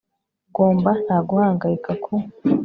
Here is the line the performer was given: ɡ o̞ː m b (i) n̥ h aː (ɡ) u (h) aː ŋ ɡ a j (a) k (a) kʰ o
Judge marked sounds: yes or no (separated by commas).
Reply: no, yes, yes, no, yes